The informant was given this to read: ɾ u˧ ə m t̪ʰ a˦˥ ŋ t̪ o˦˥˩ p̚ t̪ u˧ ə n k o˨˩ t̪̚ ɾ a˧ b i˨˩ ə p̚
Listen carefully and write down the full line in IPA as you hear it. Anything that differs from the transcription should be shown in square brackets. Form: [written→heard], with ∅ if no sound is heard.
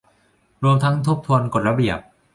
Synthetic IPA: ɾ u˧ ə m t̪ʰ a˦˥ ŋ [t̪→t̪ʰ] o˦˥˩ p̚ [t̪→t̪ʰ] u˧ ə n k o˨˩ t̪̚ ɾ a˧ b i˨˩ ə p̚